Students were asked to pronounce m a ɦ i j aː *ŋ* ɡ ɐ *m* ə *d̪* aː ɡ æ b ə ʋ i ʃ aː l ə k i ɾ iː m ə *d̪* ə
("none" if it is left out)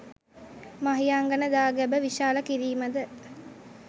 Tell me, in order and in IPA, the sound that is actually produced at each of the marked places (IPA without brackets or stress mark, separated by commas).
ŋ, n, d̪, d̪